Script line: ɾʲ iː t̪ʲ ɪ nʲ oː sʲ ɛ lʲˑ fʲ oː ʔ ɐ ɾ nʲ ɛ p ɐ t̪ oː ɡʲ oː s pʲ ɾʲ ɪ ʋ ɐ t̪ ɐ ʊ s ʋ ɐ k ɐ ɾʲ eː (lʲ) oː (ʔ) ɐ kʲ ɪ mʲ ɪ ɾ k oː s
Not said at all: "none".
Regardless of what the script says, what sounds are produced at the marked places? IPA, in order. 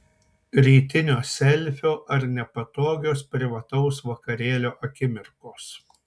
lʲ, ʔ

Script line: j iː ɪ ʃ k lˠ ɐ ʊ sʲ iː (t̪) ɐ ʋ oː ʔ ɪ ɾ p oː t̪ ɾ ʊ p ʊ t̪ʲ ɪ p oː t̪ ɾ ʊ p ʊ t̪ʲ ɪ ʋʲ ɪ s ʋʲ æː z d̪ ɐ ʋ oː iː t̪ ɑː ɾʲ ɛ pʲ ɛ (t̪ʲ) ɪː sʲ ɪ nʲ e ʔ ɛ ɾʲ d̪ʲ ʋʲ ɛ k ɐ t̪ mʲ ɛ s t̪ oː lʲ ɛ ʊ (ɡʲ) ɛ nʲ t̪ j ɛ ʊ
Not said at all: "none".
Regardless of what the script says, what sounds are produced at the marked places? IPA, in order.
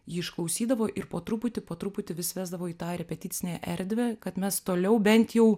d̪, t̪ʲ, bʲ

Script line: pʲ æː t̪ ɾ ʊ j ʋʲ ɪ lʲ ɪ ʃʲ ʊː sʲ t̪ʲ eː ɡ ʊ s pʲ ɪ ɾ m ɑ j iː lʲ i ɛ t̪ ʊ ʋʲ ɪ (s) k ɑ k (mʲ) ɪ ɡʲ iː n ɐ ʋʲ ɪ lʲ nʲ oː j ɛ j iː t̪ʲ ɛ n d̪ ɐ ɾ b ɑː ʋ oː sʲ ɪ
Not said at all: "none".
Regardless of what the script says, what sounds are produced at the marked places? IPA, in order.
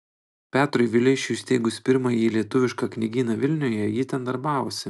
ʃ, nʲ

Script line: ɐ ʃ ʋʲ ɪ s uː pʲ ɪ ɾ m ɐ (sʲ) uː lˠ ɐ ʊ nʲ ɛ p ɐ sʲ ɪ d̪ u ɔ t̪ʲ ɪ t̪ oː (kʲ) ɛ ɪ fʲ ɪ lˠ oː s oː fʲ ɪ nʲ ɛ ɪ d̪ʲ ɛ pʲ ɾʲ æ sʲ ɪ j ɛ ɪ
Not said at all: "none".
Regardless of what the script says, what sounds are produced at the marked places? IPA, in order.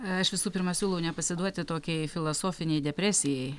sʲ, kʲ

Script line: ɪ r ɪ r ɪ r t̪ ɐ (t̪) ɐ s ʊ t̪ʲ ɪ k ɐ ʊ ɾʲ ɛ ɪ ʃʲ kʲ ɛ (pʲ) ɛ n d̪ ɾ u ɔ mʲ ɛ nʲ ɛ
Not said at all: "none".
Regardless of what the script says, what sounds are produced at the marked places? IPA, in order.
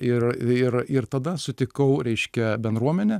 d̪, bʲ

